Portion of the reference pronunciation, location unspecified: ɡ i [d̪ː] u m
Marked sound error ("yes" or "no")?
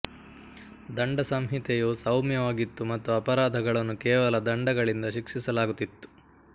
yes